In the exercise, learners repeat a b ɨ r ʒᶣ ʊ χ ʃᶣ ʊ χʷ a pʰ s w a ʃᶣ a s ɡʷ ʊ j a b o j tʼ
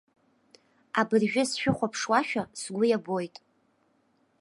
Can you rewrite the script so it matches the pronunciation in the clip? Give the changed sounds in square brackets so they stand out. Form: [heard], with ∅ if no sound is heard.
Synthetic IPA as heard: a b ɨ r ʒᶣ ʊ [s] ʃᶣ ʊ χʷ a pʰ [ʂ] w a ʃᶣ a s ɡʷ ʊ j a b o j tʼ